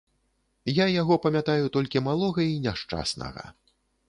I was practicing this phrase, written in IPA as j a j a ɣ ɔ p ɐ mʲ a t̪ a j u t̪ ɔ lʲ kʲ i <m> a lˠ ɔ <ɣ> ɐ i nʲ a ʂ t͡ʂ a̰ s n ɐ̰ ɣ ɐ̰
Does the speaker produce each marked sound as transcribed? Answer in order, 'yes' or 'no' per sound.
yes, yes

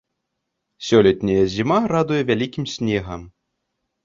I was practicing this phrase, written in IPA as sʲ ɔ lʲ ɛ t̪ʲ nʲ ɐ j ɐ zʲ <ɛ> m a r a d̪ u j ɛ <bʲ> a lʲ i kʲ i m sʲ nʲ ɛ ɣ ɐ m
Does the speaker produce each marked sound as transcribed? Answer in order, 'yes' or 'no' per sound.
no, no

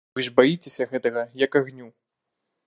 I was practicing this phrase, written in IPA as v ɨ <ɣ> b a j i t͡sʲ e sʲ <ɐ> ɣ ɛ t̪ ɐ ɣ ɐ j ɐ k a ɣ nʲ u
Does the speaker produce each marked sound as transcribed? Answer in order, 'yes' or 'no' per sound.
no, yes

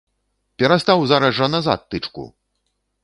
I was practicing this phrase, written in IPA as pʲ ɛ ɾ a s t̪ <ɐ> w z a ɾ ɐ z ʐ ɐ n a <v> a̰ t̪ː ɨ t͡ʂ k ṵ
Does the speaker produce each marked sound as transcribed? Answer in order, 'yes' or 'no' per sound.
no, no

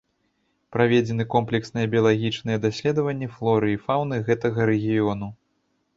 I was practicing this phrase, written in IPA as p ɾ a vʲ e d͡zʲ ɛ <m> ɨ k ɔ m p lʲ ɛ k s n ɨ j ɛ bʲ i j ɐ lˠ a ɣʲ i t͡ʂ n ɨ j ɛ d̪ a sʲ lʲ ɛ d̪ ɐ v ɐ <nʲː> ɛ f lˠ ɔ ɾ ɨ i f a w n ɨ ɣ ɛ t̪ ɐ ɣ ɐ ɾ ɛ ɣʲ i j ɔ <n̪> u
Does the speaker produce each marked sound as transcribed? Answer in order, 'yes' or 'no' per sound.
no, yes, yes

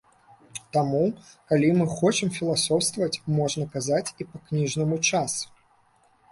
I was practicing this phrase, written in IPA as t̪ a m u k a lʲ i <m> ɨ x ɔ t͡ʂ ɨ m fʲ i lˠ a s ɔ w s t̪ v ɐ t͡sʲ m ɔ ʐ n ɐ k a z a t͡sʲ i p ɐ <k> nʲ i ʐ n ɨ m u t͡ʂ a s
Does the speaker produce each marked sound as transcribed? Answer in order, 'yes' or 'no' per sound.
yes, yes

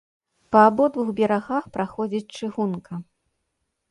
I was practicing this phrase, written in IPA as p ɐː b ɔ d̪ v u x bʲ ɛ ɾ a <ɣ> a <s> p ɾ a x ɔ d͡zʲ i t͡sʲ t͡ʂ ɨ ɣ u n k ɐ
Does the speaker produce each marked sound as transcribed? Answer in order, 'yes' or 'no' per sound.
yes, no

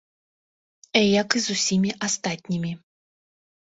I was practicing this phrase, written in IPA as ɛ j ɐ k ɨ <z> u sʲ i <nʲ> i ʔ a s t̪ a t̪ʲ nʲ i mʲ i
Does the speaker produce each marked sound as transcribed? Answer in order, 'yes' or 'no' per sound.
yes, no

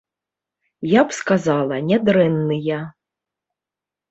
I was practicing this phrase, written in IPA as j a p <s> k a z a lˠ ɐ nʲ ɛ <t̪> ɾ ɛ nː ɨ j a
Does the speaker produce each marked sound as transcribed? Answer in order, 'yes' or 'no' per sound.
yes, no

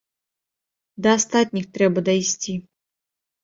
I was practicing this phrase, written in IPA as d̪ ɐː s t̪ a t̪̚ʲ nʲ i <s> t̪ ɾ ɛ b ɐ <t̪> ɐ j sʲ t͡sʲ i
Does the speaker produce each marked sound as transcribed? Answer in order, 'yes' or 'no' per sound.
no, no

